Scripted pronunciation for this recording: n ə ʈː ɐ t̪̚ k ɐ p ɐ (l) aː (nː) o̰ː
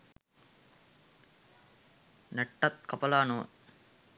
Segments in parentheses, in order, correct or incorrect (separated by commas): correct, incorrect